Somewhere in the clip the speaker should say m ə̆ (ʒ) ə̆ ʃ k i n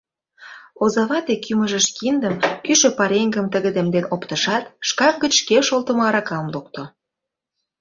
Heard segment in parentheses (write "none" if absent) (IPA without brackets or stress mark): ʒ